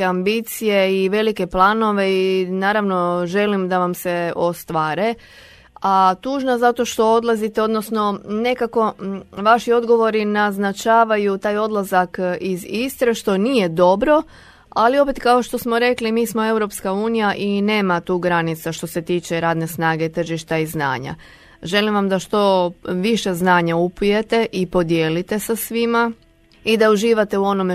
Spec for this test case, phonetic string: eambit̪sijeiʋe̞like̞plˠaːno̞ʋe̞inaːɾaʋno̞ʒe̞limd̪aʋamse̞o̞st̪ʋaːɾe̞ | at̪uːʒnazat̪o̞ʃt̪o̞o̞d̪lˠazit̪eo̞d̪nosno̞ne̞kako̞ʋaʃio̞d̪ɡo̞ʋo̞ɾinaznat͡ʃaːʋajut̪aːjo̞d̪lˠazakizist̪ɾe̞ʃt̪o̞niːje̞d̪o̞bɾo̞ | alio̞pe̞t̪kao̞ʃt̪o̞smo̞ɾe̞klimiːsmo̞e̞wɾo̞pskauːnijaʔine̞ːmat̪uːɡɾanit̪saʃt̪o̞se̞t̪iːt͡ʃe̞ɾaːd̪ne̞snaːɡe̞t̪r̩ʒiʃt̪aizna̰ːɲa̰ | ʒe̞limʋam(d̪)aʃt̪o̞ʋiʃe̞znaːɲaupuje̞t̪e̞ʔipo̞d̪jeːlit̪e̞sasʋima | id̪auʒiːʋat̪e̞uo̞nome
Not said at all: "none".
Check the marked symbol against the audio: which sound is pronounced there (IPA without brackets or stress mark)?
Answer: d̪